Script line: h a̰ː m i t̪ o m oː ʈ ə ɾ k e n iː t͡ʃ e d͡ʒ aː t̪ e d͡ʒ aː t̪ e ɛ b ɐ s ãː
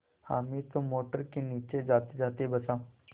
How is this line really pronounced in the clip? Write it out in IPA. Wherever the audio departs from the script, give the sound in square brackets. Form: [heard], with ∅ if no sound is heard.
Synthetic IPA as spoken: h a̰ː m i t̪ o m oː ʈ ə ɾ k e n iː t͡ʃ e d͡ʒ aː t̪ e d͡ʒ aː t̪ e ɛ b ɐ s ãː